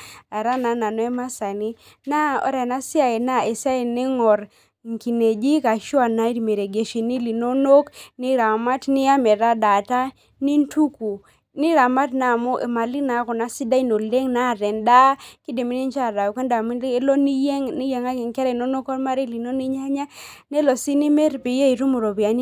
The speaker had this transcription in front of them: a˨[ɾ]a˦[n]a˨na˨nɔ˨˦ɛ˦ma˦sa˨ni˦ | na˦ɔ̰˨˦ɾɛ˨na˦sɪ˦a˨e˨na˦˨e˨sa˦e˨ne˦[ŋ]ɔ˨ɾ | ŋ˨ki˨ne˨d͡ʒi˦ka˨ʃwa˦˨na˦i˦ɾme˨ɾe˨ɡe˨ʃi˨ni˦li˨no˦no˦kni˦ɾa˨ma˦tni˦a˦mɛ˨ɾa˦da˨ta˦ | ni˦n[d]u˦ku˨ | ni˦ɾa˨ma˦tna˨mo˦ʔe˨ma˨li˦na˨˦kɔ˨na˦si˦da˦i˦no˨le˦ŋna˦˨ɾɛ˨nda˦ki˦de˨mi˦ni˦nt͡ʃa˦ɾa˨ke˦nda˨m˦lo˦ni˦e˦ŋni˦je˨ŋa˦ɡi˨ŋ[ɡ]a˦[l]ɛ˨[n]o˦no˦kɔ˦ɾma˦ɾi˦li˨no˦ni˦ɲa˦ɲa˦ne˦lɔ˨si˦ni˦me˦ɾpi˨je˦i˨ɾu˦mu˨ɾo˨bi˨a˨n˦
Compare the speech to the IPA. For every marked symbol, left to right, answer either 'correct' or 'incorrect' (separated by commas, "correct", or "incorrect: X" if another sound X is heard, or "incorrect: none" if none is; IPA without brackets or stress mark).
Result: correct, correct, correct, incorrect: t, incorrect: k, incorrect: ɾ, correct